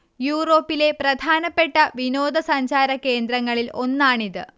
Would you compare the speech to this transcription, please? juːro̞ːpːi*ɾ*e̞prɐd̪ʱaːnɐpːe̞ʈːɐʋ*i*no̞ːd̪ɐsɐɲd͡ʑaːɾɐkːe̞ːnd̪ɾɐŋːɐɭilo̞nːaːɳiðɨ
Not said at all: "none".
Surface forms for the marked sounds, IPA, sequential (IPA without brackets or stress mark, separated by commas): l, i